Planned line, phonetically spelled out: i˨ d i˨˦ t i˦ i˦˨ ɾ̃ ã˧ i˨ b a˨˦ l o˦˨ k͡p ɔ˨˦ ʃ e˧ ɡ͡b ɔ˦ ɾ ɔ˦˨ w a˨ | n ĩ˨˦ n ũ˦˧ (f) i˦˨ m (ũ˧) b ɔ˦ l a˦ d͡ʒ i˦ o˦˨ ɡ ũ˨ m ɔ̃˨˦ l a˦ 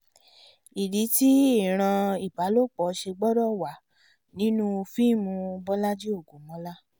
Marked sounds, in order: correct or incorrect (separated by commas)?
correct, correct